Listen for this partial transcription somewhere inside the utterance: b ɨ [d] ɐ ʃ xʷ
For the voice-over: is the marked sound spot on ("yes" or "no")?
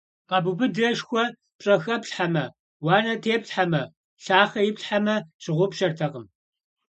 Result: yes